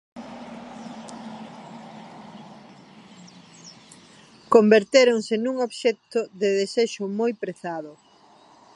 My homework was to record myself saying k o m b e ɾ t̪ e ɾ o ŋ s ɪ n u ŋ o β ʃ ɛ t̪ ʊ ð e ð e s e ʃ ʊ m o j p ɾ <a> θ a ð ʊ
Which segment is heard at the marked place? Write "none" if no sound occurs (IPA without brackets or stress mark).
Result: e